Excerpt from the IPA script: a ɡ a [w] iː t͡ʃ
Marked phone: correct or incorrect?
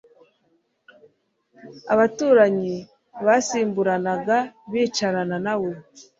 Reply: incorrect